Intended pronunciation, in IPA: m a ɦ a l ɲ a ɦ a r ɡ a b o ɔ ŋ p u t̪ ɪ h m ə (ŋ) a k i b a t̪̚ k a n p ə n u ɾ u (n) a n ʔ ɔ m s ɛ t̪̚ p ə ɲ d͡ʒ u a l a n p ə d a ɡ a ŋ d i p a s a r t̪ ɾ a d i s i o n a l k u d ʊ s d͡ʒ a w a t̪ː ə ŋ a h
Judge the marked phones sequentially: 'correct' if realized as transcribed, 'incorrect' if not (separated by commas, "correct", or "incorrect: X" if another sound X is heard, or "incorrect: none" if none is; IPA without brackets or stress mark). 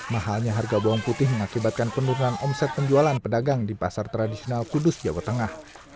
correct, correct